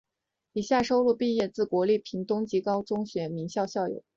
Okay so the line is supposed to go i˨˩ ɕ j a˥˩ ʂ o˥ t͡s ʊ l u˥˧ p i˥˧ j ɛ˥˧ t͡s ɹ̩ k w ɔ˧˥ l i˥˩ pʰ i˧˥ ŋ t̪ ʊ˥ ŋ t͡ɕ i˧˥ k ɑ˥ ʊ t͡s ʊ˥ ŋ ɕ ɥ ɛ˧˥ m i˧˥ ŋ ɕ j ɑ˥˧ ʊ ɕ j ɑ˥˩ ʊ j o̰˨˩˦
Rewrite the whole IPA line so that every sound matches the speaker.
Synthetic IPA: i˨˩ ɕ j a˥˩ ʂ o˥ ʊ l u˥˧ p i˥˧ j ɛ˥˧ t͡s ɹ̩ k w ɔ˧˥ l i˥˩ pʰ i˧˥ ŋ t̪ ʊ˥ ŋ t͡ɕ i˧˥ k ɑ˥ ʊ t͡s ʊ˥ ŋ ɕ ɥ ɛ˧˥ m i˧˥ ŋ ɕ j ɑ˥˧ ʊ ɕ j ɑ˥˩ ʊ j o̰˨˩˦